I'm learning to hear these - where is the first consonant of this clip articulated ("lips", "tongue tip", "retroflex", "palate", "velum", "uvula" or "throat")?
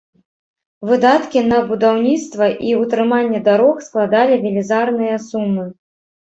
lips